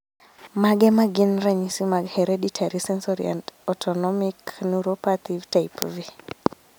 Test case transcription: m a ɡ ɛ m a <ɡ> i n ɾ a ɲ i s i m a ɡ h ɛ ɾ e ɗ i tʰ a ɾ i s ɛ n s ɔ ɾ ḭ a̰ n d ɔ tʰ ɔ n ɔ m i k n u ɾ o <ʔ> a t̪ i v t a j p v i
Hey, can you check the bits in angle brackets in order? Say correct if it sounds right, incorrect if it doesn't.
correct, incorrect

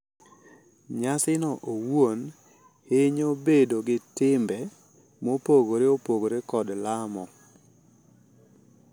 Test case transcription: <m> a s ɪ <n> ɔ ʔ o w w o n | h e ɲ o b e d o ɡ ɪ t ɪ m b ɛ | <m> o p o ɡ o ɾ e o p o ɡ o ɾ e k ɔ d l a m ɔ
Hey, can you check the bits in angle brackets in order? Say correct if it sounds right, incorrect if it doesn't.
incorrect, correct, correct

